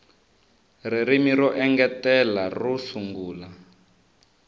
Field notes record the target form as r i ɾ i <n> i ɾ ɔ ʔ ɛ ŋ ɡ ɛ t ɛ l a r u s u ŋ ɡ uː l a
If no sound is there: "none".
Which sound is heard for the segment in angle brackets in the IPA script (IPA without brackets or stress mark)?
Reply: m